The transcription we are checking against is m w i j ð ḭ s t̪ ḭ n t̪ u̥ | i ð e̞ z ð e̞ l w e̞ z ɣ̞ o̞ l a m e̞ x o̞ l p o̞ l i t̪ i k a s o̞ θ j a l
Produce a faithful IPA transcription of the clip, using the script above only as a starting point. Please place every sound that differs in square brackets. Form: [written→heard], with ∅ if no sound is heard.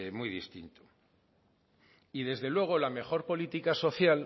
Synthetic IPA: m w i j ð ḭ s t̪ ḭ n t̪ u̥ | i ð e̞ z ð e̞ l w e̞ [z→∅] ɣ̞ o̞ l a m e̞ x o̞ [l→ɾ] p o̞ l i t̪ i k a s o̞ θ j a l